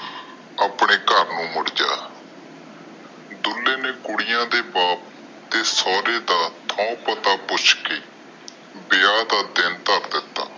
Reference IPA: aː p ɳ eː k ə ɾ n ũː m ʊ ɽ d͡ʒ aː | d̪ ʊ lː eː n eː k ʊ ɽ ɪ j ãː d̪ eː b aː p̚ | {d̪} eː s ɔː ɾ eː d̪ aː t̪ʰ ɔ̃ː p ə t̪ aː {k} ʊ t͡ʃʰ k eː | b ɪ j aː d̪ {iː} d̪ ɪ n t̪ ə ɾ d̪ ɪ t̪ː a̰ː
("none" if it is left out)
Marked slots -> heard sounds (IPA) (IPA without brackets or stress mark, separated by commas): t̪, p, aː